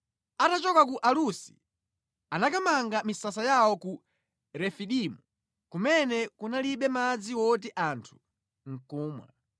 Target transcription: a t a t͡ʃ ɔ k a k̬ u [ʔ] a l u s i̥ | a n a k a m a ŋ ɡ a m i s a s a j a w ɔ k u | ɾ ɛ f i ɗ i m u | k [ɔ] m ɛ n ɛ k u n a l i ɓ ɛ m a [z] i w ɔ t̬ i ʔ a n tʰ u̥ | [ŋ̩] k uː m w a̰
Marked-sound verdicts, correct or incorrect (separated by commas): correct, incorrect, incorrect, correct